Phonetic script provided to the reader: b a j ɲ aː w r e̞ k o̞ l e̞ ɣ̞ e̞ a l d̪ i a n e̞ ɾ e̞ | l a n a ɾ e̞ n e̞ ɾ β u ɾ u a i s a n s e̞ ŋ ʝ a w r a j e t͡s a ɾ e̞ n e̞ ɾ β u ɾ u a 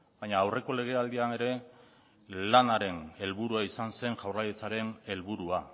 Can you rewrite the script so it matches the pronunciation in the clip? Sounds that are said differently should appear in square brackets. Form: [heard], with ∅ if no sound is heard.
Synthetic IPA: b a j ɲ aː w r e̞ k o̞ l e̞ ɣ̞ e̞ a l d̪ i a n e̞ ɾ e̞ | l a n a ɾ e̞ n e̞ [l] β u ɾ u a i s a n s e̞ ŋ ʝ a w r a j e t͡s a ɾ e̞ n e̞ [l] β u ɾ u a